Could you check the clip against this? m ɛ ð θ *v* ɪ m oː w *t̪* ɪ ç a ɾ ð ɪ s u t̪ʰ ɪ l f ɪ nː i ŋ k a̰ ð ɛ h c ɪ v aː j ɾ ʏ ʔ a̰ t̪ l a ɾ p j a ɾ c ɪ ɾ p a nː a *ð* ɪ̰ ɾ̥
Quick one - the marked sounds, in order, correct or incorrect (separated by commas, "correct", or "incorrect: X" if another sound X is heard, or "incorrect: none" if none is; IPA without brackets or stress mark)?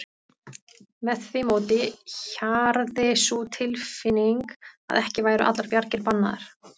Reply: correct, correct, correct